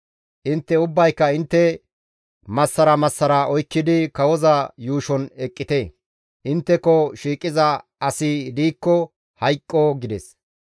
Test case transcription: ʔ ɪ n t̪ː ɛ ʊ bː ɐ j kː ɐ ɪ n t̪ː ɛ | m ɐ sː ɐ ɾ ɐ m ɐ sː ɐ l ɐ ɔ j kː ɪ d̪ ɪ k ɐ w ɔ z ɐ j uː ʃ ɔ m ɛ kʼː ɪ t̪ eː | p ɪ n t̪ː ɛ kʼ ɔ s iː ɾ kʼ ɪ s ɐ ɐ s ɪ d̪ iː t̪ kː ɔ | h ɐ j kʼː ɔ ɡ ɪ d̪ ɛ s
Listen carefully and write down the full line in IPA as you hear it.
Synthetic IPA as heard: ʔ ɪ n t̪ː ɛ ʊ bː ɐ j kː ɐ ɪ n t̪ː ɛ | m ɐ sː ɐ ɾ ɐ m ɐ sː ɐ ɾ ɐ ɔ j kː ɪ d̪ ɪ k ɐ w ɔ z ɐ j uː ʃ ɔ n ɛ kʼː ɪ t̪ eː | ʔ ɪ n t̪ː ɛ k ɔ ʃ iː kʼ ɪ z ɐ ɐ s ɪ d̪ iː kː ɔ | h ɐ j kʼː ɔ ɡ ɪ d̪ ɛ s